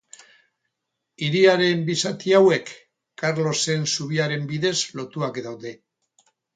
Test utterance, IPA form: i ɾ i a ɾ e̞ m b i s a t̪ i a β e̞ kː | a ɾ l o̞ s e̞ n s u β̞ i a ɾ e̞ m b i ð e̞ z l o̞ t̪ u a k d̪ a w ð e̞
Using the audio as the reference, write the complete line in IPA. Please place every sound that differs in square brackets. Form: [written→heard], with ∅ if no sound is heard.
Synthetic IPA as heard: i ɾ i a ɾ e̞ m b i s a t̪ i a [β→w] e̞ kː | a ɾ l o̞ s e̞ n s u β̞ i a ɾ e̞ m b i ð e̞ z l o̞ t̪ u a k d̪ a w ð e̞